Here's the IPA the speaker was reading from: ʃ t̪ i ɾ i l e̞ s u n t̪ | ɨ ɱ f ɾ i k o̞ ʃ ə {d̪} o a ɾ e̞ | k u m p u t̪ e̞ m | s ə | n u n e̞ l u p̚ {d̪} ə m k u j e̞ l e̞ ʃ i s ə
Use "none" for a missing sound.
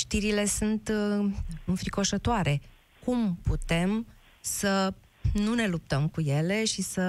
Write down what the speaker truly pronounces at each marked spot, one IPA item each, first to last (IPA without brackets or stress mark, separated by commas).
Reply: t̪, t̪